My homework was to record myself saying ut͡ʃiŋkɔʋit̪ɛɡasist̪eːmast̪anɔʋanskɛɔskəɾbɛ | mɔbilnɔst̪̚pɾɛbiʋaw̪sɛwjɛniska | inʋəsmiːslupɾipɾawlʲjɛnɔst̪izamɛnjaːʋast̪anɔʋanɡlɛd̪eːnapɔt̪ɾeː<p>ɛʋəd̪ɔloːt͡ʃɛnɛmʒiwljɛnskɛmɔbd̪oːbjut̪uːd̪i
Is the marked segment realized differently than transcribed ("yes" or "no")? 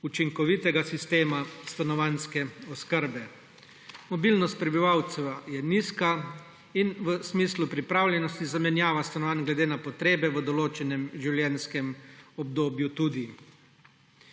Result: yes